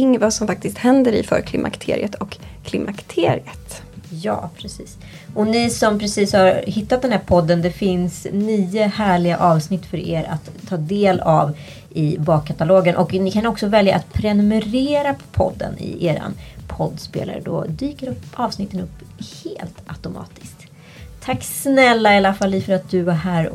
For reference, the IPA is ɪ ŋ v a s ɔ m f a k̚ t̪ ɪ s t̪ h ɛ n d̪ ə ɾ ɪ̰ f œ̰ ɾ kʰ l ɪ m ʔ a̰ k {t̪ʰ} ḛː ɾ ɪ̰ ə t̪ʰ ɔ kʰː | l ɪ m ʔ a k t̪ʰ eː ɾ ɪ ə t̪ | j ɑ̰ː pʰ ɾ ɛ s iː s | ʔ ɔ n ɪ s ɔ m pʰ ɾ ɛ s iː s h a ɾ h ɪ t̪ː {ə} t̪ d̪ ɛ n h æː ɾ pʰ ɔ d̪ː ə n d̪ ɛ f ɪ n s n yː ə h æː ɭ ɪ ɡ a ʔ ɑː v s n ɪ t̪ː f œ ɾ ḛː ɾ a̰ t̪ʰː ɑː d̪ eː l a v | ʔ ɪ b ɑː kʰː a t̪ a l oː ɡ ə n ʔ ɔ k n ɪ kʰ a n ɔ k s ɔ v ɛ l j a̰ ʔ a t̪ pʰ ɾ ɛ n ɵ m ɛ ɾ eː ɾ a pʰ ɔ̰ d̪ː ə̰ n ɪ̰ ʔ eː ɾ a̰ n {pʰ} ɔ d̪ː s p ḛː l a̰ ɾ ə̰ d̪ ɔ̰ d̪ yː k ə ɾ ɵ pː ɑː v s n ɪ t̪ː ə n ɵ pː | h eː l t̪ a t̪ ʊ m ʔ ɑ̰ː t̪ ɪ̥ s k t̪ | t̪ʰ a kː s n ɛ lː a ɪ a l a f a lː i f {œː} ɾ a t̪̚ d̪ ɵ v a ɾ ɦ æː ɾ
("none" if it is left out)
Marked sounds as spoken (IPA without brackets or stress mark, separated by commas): t̪ʰ, a, pʰ, œ